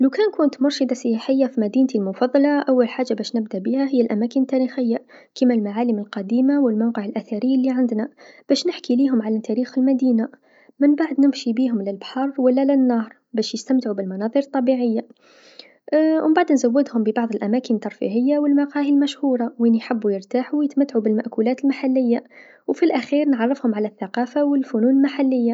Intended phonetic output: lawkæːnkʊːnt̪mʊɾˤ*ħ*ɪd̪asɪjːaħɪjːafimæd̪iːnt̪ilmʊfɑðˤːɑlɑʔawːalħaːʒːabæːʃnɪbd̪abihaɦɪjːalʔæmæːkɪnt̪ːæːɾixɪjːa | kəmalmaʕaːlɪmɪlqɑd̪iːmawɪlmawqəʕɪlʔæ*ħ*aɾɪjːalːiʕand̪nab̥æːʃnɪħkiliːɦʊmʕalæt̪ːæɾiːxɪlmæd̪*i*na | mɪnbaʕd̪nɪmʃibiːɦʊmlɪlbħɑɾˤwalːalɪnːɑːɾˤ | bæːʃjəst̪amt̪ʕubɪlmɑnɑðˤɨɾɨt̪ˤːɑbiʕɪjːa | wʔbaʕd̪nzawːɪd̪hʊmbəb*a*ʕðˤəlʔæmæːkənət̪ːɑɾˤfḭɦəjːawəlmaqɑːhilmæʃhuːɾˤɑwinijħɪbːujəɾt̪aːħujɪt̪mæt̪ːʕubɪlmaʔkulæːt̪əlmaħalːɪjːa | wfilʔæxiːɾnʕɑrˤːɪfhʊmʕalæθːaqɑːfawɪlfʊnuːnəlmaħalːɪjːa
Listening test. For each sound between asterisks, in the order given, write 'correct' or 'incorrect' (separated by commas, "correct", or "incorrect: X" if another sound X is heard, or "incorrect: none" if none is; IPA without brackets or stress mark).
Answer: incorrect: ʃ, incorrect: θ, incorrect: iː, incorrect: ɑ